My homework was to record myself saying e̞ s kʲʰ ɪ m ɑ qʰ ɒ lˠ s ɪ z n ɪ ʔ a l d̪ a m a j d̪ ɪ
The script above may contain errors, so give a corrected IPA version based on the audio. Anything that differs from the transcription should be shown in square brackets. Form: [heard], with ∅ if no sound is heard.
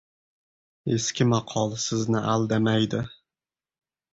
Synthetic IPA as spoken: e̞ s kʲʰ ɪ m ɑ qʰ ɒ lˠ s ɪ z n ɪ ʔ a l d̪ a m a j d̪ ɪ

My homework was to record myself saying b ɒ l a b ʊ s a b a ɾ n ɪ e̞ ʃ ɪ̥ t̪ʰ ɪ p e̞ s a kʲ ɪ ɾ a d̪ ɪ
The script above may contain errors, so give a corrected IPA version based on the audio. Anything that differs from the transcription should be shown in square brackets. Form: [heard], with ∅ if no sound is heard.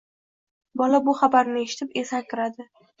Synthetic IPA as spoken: b ɒ l a b ʊ [χ] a b a ɾ n ɪ e̞ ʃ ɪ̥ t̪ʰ ɪ p e̞ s a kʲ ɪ ɾ a d̪ ɪ

